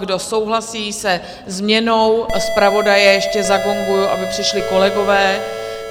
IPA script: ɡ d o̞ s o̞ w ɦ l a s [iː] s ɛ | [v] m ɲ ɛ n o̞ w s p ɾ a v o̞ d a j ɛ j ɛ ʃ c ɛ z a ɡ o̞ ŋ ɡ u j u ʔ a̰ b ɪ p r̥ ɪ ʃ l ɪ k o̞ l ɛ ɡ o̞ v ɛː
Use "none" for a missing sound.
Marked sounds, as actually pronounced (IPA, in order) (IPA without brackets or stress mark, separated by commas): iː, z